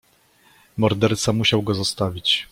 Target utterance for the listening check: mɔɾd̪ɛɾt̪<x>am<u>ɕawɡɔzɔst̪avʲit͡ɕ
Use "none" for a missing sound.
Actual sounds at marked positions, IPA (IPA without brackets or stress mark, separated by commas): s, u